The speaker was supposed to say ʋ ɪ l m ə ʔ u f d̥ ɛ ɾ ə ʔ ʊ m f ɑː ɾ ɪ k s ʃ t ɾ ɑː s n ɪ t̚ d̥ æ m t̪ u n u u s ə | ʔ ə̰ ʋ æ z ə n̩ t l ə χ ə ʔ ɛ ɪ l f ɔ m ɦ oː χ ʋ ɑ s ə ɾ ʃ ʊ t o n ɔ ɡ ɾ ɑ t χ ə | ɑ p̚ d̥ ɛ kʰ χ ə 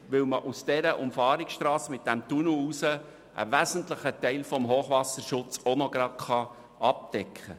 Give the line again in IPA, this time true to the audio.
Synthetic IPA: ʋ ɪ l m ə ʔ u s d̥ ɛ ɾ ə ʔ ʊ m f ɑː ɾ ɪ k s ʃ t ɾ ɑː s m ɪ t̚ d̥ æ m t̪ u n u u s ə | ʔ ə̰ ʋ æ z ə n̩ t l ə χ ə t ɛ ɪ l f ɔ m ɦ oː χ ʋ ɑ s ə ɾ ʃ ʊ t͡s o n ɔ ɡ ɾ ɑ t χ ɑ | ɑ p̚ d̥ ɛ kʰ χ ə

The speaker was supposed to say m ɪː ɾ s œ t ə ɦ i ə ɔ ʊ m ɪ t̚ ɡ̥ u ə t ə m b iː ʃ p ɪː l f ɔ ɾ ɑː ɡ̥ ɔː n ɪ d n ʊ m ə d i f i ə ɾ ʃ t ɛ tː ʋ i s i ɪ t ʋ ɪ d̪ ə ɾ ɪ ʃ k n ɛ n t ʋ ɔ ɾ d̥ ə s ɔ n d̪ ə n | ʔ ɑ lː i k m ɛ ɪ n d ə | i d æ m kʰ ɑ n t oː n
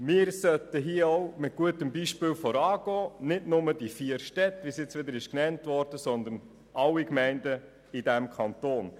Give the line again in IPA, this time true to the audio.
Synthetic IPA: m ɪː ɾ s œ t ə ɦ i ə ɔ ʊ m ɪ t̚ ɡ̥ u ə t ə m b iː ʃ p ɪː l f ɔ ɾ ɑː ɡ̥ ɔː n ɪ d n ʊ m ə d i f i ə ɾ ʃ t ɛ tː ʋ i s j ɪ t͡s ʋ ɪ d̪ ə ɾ ɪ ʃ k n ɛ n t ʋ ɔ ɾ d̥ ə s ɔ n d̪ ə n | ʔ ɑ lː i k m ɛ ɪ n d ə | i d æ m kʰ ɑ n t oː n

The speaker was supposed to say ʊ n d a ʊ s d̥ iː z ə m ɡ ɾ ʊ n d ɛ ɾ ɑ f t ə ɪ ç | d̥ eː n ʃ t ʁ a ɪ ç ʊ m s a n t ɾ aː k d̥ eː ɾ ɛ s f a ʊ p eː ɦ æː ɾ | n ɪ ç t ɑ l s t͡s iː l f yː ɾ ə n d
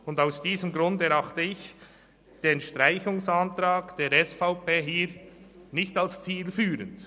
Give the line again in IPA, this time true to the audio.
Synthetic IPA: ʊ n d a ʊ s d̥ iː z ə m ɡ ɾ ʊ n d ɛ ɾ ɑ χ t ə ɪ ç | d̥ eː n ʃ t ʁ a ɪ ç ʊ ŋ s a n t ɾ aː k d̥ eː ɾ ɛ s f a ʊ p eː ɦ iː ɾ | n ɪ ç t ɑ l s t͡s iː l f yː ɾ ə n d

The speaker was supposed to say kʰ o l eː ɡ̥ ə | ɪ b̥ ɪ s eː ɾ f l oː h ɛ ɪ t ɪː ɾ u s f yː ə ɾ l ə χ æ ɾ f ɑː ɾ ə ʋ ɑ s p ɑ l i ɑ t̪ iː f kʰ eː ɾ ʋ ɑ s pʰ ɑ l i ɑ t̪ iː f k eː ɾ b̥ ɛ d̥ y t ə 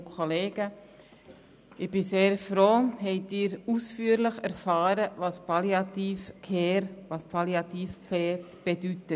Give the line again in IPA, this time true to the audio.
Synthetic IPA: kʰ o l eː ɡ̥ ə | ɪ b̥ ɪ s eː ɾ f ɾ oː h ɛ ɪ t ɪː ɾ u s f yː ə ɾ l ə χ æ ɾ f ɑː ɾ ə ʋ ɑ s p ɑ l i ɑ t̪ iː f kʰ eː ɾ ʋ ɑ s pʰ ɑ l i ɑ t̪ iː f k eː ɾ b̥ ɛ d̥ y t ə

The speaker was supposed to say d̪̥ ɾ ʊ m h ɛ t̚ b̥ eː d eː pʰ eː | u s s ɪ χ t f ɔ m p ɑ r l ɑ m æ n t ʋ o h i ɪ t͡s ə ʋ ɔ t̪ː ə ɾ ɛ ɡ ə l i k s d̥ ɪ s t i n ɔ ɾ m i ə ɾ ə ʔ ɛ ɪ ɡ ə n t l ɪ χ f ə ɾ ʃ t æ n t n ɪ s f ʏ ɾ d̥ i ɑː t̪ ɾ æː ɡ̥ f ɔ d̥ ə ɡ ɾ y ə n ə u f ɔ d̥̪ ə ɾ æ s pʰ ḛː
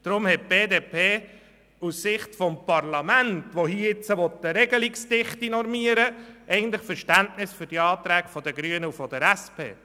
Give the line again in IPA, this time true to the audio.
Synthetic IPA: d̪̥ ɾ ʊ m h ɛ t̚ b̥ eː d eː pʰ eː | u s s ɪ χ t f ɔ m p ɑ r l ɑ m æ n t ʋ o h i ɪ t͡s ə ʋ ɔ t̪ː ə ɾ ɛ ɡ ə l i k s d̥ ɪ χ t i n ɔ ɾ m i ə ɾ ə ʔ ɛ ɪ ɡ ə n t l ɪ χ f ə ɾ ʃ t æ n t n ɪ s f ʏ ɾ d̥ i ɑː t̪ ɾ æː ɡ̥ f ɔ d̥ ə ɡ ɾ y ə n ə u f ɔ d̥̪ ə ɾ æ s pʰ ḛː

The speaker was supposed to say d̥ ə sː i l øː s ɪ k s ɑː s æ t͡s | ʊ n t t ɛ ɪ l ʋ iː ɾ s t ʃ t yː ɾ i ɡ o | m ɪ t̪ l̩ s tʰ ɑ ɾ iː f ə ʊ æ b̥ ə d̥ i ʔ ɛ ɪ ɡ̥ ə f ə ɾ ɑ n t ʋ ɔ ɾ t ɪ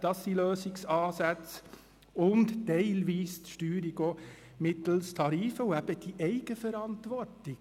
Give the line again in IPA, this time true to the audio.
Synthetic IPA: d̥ ɑ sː i l øː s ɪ k s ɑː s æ t͡s | ʊ n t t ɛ ɪ l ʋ iː s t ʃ t yː ɾ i ɡ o | m ɪ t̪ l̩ s tʰ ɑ ɾ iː f ə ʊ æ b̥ ə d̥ i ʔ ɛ ɪ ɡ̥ ə f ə ɾ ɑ n t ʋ ɔ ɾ t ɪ

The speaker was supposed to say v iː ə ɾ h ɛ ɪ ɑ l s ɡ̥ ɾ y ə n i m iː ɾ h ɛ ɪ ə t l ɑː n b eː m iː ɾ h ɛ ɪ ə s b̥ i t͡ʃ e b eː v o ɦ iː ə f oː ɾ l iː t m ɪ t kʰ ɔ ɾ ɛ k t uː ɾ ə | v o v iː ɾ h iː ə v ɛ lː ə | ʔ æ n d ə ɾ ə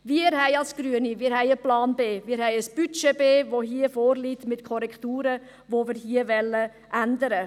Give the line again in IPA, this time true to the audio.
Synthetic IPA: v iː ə ɾ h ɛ ɪ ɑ l s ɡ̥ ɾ y ə n i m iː ɾ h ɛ ɪ ə p l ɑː n b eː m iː ɾ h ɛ ɪ ə s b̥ y t͡ʃ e b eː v o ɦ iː ə f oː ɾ l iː t m ɪ t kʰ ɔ ɾ ɛ k t uː ɾ ə | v o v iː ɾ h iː ə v ɛ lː ə | ʔ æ n d ə ɾ ə

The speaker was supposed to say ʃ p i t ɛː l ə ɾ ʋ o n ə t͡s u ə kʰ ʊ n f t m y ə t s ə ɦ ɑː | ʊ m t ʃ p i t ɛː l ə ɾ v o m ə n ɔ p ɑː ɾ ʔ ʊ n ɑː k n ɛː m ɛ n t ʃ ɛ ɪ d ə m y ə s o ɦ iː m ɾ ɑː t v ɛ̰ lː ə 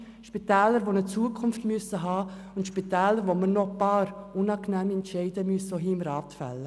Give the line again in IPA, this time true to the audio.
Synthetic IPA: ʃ p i t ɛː l ə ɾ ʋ o n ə t͡s u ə kʰ ʊ n f t m y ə s ə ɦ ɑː | ʊ n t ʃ p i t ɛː l ə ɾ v o m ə n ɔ p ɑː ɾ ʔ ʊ n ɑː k n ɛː m ɛ n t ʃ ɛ ɪ d ə m y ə s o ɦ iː m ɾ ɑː t f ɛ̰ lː ə

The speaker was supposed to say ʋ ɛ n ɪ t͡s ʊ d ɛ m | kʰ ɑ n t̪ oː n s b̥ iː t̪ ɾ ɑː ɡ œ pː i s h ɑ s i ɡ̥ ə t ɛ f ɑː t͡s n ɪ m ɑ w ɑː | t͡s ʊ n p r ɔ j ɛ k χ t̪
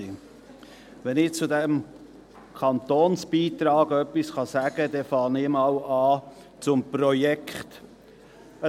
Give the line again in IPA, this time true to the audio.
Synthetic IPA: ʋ ɛ n ɪ t͡s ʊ d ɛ m | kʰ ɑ n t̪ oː n s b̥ iː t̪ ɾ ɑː ɡ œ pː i s χ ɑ s æ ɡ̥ ə d ɛ f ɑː n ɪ m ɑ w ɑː | t͡s ʊ m p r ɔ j ɛ k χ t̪

